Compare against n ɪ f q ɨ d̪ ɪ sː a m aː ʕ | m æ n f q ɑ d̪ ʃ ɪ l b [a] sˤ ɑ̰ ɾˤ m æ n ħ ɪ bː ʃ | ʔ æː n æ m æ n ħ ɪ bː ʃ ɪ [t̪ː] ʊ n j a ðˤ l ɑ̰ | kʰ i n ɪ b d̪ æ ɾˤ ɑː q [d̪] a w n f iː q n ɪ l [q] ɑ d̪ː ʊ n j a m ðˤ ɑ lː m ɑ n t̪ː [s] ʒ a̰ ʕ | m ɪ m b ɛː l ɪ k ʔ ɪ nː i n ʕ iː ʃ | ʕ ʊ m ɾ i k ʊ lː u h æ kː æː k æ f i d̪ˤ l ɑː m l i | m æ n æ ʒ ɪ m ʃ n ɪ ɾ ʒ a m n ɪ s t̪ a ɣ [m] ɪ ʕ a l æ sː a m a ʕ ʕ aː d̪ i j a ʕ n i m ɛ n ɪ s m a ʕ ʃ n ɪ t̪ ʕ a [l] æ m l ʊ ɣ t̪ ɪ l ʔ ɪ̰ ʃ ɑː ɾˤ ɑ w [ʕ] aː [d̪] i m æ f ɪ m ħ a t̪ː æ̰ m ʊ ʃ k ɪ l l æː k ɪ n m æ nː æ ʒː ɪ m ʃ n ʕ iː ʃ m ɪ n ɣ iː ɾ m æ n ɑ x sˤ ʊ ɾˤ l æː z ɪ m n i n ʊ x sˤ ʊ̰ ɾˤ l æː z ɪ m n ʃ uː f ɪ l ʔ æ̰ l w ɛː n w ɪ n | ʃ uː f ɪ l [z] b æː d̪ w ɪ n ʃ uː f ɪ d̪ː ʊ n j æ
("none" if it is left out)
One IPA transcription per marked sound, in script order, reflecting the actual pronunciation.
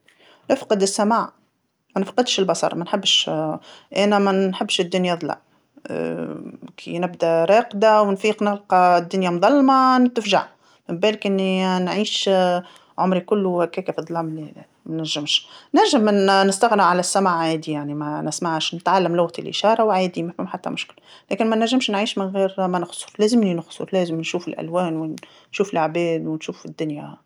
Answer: ɑ, d̪ː, d̪, q, f, n, lː, ʕ, d̪, ʕ

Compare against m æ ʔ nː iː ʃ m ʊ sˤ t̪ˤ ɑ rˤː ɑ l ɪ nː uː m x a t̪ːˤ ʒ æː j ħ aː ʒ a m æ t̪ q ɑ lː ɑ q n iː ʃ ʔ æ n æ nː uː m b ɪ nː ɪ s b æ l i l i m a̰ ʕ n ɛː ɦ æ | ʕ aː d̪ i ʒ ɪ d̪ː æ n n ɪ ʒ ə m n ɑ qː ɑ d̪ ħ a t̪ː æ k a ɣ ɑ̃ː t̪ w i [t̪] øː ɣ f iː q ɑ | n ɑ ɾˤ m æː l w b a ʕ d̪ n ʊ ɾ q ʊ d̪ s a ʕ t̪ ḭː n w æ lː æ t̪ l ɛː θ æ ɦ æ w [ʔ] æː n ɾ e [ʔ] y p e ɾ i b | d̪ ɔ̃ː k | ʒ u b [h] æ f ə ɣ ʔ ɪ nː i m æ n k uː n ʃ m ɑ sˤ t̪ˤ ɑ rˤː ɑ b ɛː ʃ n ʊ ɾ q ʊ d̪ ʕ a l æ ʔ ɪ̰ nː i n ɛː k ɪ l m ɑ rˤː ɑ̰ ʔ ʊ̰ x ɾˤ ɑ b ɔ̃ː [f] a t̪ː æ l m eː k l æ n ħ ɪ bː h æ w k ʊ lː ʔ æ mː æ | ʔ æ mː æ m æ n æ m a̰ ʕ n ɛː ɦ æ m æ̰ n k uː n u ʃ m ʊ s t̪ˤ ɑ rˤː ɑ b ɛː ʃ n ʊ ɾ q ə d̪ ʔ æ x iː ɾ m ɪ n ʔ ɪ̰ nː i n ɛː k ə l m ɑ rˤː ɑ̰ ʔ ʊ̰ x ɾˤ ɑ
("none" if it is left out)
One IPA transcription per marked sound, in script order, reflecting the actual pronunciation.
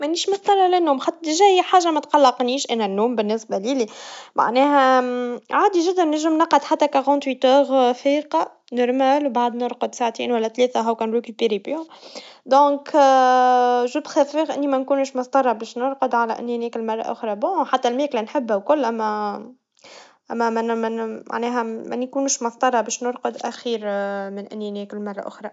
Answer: t̪, k, k, x, ħ

